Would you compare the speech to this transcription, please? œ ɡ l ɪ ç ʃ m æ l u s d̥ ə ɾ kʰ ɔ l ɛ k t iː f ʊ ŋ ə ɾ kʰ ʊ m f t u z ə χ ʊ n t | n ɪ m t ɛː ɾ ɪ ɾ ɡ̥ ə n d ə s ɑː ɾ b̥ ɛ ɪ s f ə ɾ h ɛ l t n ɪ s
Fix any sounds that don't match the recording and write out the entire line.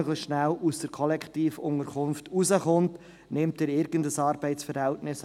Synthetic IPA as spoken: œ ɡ l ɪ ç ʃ n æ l u s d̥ ə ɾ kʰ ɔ l ɛ k t iː f ʊ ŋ ə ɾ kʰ ʊ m f t u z ə χ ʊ n t | n ɪ m t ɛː ɾ ɪ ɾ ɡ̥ ə n d ə s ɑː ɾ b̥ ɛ ɪ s f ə ɾ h ɛ l t n ɪ s